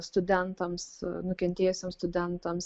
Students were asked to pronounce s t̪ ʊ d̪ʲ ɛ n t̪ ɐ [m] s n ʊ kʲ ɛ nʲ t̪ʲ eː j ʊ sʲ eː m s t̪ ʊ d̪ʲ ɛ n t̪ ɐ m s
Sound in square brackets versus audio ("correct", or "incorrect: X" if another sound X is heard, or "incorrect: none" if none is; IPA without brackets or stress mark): correct